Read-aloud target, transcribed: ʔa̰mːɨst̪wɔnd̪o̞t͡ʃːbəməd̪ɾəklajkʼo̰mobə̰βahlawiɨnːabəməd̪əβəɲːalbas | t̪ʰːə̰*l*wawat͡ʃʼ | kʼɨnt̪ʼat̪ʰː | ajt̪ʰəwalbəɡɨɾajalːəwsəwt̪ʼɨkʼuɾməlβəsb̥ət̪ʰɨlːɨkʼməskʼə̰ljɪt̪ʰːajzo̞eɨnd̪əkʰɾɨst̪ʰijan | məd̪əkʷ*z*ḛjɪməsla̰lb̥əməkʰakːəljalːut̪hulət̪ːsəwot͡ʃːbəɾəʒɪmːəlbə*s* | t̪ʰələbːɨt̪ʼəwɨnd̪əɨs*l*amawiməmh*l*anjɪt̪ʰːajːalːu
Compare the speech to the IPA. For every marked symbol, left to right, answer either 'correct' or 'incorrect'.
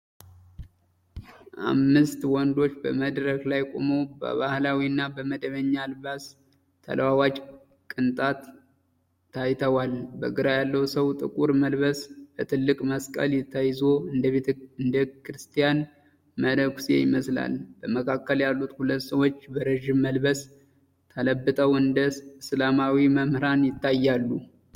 correct, incorrect: s, correct, correct, incorrect: ɾ

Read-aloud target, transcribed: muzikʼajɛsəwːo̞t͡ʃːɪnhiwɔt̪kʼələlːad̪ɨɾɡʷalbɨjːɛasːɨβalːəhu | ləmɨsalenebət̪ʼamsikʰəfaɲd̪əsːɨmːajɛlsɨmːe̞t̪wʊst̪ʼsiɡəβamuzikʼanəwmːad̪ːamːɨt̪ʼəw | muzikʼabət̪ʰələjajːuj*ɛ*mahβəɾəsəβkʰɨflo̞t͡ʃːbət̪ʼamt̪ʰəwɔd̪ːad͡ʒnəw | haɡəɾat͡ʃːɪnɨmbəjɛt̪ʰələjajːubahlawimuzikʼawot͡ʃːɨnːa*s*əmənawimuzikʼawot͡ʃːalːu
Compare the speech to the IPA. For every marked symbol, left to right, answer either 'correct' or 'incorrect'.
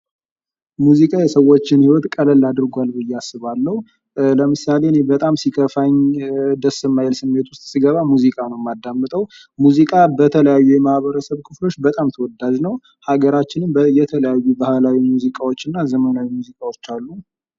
correct, incorrect: z

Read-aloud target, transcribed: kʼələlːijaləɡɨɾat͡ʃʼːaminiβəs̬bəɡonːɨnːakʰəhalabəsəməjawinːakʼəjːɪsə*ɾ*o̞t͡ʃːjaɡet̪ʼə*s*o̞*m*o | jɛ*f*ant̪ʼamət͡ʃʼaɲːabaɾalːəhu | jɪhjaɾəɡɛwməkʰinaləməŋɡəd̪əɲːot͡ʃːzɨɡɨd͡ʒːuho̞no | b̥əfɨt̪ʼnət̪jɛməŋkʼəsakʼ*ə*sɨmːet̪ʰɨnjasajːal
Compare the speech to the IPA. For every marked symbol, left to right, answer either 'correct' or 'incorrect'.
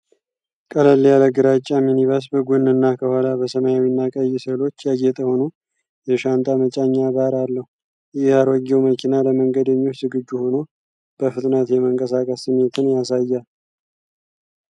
incorrect: l, incorrect: h, incorrect: n, incorrect: ʃ, correct

